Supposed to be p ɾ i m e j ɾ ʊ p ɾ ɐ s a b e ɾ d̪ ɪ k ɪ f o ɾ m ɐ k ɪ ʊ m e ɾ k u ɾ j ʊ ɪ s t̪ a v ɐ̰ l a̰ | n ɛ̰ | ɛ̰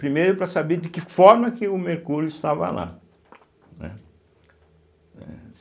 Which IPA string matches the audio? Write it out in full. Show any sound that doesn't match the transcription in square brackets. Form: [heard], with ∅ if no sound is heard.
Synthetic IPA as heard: p ɾ i m e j ɾ ʊ p ɾ ɐ s a b e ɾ d̪ ɪ k ɪ f [ɔ] ɾ m ɐ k ɪ ʊ m e ɾ k u ɾ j ʊ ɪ s t̪ a v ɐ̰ l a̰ | n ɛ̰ | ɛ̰